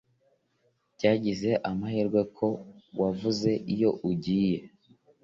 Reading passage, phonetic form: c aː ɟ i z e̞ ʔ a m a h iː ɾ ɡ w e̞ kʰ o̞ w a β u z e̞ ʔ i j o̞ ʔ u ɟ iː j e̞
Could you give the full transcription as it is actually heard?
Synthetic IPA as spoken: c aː ɟ i z e̞ ʔ a m a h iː ɾ ɡ w e̞ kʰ o̞ w a v u z e̞ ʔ i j o̞ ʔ u ɟ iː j e̞